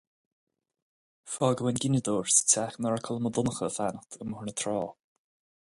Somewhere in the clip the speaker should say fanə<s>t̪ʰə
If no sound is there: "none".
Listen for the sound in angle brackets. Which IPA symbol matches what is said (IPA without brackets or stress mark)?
x